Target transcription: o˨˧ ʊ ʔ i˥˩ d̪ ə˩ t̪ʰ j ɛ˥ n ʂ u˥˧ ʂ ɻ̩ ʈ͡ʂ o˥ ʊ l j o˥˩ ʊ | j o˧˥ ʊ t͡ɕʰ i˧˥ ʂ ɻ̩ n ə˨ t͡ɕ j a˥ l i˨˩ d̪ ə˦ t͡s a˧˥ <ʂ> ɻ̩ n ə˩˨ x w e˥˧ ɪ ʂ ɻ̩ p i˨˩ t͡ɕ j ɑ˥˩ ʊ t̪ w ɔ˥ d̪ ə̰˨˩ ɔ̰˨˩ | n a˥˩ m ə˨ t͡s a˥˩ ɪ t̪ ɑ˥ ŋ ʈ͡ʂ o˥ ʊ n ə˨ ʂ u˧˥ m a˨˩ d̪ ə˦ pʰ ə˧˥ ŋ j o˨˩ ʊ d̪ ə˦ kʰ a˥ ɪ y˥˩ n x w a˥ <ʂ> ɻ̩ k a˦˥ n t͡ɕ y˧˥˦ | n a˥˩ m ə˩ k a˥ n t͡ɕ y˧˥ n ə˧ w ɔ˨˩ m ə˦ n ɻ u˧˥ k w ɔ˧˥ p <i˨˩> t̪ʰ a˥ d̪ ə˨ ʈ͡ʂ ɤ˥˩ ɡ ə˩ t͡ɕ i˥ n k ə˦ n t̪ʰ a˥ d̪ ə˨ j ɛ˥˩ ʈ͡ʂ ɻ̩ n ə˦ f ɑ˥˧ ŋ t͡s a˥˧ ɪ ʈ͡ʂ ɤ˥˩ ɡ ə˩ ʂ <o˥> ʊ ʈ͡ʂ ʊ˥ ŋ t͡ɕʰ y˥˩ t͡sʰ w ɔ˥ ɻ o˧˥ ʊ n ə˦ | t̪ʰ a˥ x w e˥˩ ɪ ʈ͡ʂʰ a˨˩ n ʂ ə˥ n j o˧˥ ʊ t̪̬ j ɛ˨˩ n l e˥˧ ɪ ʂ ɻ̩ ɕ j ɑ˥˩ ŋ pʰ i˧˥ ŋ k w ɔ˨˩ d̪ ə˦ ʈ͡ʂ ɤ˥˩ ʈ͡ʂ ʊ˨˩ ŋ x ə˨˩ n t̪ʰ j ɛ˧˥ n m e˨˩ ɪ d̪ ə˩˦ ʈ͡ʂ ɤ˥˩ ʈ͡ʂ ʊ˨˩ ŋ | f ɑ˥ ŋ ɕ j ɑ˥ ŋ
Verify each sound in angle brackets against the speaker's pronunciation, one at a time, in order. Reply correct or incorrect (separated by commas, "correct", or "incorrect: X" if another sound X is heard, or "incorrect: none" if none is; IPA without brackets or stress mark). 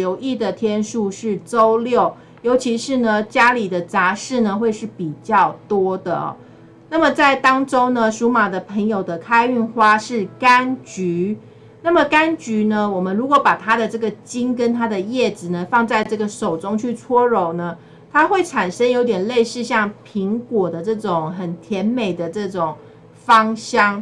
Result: correct, correct, incorrect: a˨˩, incorrect: o˨˩